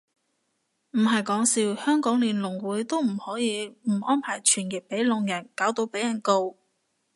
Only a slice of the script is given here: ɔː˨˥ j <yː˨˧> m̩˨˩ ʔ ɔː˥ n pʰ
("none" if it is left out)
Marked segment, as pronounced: iː˨˧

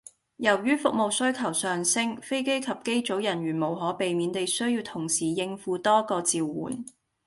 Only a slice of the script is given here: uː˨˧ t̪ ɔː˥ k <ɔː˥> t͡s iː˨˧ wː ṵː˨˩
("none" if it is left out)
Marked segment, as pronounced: ɔː˧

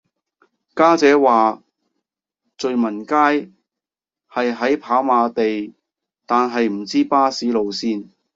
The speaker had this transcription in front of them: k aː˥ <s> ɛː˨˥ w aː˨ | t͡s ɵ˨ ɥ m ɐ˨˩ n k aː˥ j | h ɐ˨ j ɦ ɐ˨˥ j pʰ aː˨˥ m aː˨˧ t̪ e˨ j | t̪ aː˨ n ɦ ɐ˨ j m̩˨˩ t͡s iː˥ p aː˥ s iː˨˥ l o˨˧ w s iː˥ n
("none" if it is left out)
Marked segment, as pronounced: t͡s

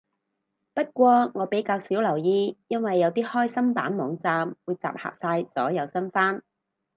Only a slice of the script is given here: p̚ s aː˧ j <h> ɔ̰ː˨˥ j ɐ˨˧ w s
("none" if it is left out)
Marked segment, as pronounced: s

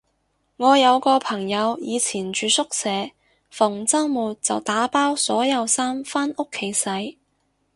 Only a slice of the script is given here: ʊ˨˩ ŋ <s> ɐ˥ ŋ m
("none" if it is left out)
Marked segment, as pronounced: t͡s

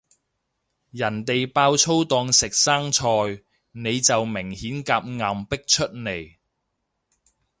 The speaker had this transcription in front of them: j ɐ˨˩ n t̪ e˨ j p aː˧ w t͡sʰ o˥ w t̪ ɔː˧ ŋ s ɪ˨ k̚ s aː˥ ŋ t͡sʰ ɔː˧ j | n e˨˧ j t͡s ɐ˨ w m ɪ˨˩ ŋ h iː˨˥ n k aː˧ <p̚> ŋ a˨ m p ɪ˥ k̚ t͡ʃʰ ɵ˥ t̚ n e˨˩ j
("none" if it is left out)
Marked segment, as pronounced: p̚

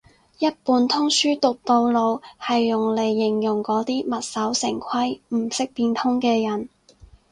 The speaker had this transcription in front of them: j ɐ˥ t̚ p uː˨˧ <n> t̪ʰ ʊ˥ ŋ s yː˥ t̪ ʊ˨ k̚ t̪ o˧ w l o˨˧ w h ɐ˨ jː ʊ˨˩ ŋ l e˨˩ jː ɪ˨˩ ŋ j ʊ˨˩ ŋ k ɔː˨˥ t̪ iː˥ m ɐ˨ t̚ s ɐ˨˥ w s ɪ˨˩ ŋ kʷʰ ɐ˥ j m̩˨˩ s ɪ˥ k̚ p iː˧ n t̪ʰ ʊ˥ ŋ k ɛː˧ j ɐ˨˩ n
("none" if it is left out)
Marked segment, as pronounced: n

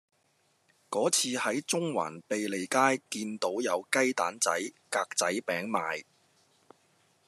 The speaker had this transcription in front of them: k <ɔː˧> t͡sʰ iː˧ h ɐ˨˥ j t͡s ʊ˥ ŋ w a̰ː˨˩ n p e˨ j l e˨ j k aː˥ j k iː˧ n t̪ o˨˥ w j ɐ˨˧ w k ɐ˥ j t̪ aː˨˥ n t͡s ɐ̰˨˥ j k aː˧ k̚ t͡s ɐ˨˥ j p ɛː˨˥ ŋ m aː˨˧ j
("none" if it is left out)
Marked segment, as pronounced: ɔː˨˥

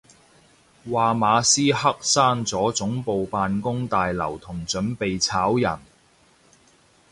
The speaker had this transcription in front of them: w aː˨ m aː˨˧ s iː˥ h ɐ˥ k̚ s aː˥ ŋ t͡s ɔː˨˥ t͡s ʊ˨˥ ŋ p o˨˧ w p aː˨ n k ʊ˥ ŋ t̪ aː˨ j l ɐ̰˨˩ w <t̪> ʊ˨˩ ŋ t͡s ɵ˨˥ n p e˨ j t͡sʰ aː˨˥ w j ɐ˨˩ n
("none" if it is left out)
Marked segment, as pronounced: t̪ʰ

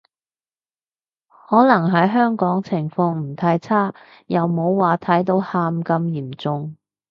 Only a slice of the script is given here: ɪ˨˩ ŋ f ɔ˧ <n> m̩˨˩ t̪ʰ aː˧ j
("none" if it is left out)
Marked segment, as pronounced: ŋ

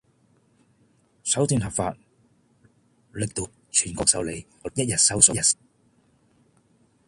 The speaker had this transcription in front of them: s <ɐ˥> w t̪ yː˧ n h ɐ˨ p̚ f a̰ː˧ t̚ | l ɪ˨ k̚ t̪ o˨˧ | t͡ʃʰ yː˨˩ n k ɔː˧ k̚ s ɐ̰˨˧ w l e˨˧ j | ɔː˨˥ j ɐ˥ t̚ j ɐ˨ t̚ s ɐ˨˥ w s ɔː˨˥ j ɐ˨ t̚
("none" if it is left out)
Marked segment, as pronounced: ɐ˨˥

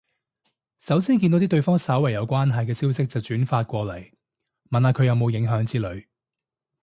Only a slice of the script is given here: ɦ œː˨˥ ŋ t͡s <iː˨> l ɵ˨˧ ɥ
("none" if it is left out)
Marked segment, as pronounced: iː˥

